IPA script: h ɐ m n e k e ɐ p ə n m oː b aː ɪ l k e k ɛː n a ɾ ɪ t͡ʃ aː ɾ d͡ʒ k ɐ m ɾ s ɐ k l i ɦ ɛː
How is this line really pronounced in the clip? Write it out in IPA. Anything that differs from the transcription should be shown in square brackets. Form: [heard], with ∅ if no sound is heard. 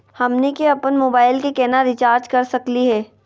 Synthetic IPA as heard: h ɐ m n e k e ɐ p ə n m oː b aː ɪ l k e k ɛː n a ɾ ɪ t͡ʃ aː ɾ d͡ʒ k ɐ [∅] ɾ s ɐ k l i ɦ ɛː